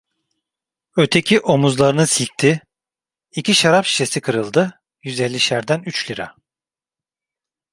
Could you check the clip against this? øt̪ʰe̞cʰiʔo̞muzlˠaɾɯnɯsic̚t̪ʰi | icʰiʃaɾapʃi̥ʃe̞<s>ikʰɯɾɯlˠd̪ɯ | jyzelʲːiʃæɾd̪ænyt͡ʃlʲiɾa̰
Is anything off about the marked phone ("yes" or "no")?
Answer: no